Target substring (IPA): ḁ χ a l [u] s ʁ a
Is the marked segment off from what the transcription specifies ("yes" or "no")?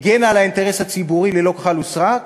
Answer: no